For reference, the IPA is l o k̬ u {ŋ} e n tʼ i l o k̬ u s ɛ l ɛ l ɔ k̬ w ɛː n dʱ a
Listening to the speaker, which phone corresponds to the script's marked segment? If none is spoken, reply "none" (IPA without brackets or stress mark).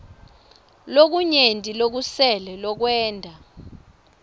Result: ɲ